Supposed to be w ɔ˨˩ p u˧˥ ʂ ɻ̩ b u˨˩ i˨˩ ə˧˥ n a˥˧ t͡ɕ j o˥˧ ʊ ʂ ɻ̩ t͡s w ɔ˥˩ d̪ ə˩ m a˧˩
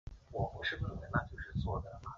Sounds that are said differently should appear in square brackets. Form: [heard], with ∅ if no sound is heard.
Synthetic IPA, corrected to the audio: w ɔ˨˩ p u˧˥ ʂ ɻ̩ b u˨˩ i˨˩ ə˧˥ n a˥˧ t͡ɕ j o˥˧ ʊ ʂ ɻ̩ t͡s w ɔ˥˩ d̪ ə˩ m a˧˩